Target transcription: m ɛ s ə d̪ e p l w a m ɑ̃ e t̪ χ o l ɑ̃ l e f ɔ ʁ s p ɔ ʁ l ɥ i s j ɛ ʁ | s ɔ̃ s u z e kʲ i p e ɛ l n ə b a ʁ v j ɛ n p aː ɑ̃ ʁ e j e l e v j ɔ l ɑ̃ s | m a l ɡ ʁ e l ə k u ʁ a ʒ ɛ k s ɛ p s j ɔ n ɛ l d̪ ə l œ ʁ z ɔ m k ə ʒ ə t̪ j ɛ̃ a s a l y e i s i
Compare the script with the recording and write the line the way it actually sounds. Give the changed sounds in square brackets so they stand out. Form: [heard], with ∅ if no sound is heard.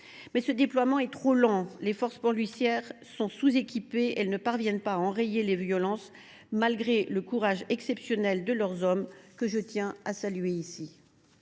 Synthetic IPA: m ɛ s ə d̪ e p l w a m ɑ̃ [ɛ] t̪ χ o l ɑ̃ l e f ɔ ʁ s p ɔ ʁ l ɥ i s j ɛ ʁ | s ɔ̃ s u z e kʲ i p e ɛ l n ə [p] a ʁ v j ɛ n p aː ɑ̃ ʁ e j e l e v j ɔ l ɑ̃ s | m a l ɡ ʁ e l ə k u ʁ a ʒ ɛ k s ɛ p s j ɔ n ɛ l d̪ ə l œ ʁ z ɔ m k ə ʒ ə t̪ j ɛ̃ a s a l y e i s i